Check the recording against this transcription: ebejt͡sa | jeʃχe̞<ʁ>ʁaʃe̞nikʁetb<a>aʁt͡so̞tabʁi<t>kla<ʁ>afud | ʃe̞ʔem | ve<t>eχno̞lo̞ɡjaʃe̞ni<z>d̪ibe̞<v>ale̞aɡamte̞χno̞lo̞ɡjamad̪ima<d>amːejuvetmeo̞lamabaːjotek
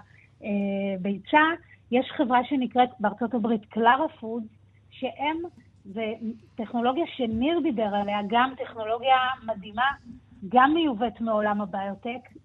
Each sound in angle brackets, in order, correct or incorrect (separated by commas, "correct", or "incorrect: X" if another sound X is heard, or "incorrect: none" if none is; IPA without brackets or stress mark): incorrect: v, incorrect: e, correct, correct, correct, incorrect: ʁ, incorrect: ʁ, incorrect: ɡ